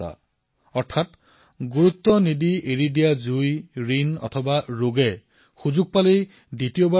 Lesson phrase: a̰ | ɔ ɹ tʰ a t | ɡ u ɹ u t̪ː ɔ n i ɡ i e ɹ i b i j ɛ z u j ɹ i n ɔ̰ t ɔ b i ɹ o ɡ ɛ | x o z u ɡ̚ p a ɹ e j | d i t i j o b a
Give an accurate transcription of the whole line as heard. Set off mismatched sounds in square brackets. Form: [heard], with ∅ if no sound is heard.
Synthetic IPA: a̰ | ɔ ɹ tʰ a t | ɡ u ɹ u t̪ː ɔ n i [d] i e ɹ i [d] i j [a] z u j ɹ i n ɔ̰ [tʰ] ɔ b [a] ɹ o ɡ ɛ | x [u] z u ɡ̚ p a [l] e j | d i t i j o b a

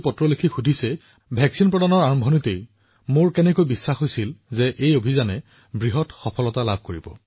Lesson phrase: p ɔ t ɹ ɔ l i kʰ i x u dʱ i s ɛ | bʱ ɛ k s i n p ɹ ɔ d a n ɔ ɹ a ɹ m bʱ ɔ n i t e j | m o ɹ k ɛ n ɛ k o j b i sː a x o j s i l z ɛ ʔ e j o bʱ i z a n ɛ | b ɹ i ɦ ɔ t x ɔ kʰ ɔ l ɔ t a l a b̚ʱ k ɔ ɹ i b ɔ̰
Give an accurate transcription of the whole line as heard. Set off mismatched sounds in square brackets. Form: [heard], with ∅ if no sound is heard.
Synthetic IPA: p ɔ t ɹ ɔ l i kʰ i x u dʱ i s ɛ | bʱ ɛ k s i n p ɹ ɔ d a n ɔ ɹ a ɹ m bʱ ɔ n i t e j | m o ɹ k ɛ n ɛ k o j b i sː a x o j s i l z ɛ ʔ e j o bʱ i z a n ɛ | b ɹ i ɦ ɔ t x ɔ [pʰ] ɔ l ɔ t a l a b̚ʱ k [o] ɹ i b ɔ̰

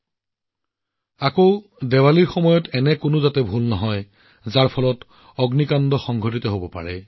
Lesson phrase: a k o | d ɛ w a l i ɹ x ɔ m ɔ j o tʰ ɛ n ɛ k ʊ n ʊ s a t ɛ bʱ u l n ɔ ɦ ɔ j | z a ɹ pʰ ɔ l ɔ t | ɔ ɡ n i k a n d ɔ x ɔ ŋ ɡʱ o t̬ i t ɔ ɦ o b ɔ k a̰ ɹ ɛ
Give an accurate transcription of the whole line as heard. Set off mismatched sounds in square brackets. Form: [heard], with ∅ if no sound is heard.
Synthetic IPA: a k o | d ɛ w a l i ɹ x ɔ m ɔ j [ɔ] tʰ ɛ n ɛ k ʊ n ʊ [z] a t ɛ bʱ u l n ɔ ɦ ɔ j | z a ɹ pʰ ɔ l ɔ t | ɔ ɡ n i k a n d ɔ x ɔ ŋ ɡʱ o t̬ i t ɔ ɦ o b ɔ [p] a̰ ɹ ɛ

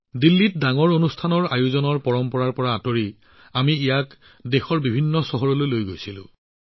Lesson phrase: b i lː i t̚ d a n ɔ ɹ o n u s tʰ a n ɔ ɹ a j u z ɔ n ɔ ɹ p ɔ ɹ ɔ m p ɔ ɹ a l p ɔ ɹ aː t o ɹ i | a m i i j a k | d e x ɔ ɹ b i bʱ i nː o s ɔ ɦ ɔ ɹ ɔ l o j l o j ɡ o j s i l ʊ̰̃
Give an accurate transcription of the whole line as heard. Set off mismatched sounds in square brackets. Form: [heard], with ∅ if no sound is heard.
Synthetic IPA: [d] i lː i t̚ d a [ŋ] ɔ ɹ o n u s tʰ a n ɔ ɹ a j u z ɔ n ɔ ɹ p ɔ ɹ ɔ m p ɔ ɹ a [ɹ] p ɔ ɹ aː t o ɹ i | a m i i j a k | d e x ɔ ɹ b i bʱ i nː [ɔ] s ɔ ɦ ɔ ɹ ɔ l o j l o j ɡ o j s i l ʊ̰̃

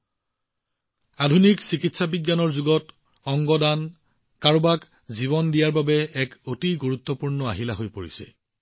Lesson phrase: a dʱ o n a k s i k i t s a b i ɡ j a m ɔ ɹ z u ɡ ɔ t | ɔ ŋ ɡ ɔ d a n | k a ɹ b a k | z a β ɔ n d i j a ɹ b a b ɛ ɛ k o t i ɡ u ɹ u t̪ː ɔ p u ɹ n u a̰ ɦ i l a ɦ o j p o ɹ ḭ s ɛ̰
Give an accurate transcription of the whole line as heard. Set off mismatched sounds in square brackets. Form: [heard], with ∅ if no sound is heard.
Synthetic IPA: a dʱ [u] n [i] k s i k i t s a b i ɡ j a [n] ɔ ɹ z u ɡ ɔ t | ɔ ŋ ɡ ɔ d a n | k a ɹ b a k | z [i] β ɔ n d i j a ɹ b a b ɛ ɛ k o t i ɡ u ɹ u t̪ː ɔ p u ɹ n [ɔ] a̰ ɦ i l a ɦ o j p o ɹ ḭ s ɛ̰

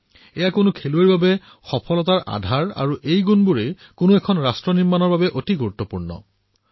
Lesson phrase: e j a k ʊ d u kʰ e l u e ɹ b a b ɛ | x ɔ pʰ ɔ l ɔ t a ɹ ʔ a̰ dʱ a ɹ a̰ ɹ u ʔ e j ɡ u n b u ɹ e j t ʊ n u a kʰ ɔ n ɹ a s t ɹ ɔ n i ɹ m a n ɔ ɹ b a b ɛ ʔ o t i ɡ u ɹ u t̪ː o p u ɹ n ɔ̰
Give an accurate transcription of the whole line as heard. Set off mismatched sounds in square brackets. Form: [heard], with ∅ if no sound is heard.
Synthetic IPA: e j a k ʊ [n] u kʰ e l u e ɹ b a b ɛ | x ɔ pʰ ɔ l ɔ t a ɹ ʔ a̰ dʱ a ɹ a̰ ɹ u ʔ e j ɡ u n b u ɹ e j [k] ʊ n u [ɛ] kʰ ɔ n ɹ a s t ɹ ɔ n i ɹ m a n ɔ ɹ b a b ɛ ʔ o t i ɡ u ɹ u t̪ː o p u ɹ n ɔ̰

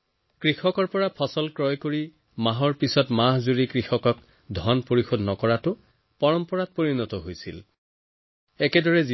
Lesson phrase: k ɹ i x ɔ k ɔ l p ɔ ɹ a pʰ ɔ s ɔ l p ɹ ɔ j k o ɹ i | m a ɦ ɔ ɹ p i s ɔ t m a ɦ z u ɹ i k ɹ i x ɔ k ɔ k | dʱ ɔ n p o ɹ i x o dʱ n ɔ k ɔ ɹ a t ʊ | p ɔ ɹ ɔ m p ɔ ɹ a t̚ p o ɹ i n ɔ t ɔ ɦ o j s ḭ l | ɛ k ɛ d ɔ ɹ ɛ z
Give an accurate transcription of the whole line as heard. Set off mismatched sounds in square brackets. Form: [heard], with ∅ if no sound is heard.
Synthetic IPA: k ɹ i x ɔ k ɔ [ɹ] p ɔ ɹ a pʰ ɔ s ɔ l [k] ɹ ɔ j k o ɹ i | m a ɦ ɔ ɹ p i s ɔ t m a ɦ z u ɹ i k ɹ i x ɔ k ɔ k | dʱ ɔ n p o ɹ i x o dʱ n ɔ k ɔ ɹ a t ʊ | p ɔ ɹ ɔ m p ɔ ɹ a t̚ p o ɹ i n ɔ t ɔ ɦ o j s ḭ l | ɛ k ɛ d ɔ ɹ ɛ z

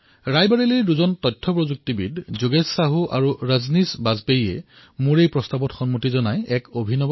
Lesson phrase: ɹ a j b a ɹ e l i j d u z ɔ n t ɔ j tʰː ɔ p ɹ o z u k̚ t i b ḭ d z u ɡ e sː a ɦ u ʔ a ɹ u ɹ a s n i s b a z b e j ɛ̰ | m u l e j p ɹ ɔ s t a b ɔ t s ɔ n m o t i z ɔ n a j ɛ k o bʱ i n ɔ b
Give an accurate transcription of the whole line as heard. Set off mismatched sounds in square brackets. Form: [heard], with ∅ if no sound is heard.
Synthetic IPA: ɹ a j b a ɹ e l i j d u z ɔ n t ɔ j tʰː ɔ p ɹ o z u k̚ t i b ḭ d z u ɡ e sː a ɦ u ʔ a ɹ u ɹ a [z] n i s b a z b e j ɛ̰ | m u [ɹ] e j p ɹ ɔ s t a b ɔ t [x] ɔ n m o t i z ɔ n a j ɛ k o bʱ i n ɔ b

